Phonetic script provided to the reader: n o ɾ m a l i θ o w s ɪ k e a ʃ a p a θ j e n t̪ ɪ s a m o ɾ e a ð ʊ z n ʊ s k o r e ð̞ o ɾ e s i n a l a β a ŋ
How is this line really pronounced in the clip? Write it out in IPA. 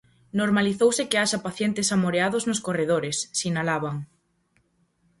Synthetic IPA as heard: n o ɾ m a l i θ o w s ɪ k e a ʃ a p a θ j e n t̪ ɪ s a m o ɾ e a ð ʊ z n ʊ s k o r e ð̞ o ɾ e sː i n a l a β a ŋ